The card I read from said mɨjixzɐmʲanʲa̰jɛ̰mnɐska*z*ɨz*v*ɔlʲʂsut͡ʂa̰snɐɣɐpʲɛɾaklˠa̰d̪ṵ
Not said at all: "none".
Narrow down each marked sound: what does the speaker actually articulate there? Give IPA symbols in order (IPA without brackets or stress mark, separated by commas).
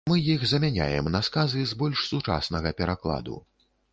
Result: z, b